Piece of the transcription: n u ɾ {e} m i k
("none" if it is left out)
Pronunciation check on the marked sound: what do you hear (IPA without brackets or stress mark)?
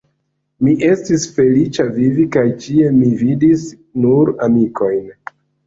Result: a